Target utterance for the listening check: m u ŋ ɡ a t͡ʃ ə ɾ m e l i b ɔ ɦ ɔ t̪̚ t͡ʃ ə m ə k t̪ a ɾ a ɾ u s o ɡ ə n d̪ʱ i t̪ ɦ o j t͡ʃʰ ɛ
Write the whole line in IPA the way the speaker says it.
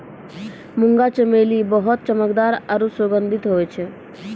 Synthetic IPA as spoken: m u ŋ ɡ a t͡ʃ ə m e l i b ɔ ɦ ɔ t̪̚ t͡ʃ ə m ə k d̪ a ɾ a ɾ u s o ɡ ə n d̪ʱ i t̪ ɦ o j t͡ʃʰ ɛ